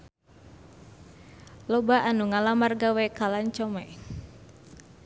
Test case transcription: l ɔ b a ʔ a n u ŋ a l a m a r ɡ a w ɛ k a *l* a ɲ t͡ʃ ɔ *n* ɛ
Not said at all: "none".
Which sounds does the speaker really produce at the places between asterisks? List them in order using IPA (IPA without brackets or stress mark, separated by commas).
l, m